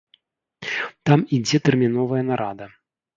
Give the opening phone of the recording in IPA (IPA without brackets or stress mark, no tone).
t̪